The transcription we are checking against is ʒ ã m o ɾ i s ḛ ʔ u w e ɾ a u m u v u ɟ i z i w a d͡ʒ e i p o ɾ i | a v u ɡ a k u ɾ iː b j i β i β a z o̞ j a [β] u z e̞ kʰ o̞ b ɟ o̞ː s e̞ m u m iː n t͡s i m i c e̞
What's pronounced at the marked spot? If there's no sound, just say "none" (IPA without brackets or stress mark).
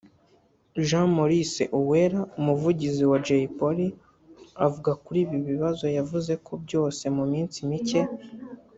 v